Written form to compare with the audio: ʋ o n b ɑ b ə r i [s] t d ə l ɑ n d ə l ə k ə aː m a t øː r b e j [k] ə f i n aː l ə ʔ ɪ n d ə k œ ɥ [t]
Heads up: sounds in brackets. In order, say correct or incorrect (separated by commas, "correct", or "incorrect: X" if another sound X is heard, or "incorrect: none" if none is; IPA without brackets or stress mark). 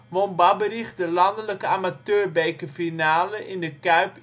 incorrect: χ, correct, incorrect: p